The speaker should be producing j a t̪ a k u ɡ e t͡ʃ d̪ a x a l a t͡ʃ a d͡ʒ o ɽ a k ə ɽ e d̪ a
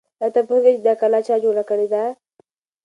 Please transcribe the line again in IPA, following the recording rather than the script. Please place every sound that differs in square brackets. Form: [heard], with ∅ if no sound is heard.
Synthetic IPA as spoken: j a t̪ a [p] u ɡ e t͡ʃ d̪ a [k] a l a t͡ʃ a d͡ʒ o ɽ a k ə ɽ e d̪ a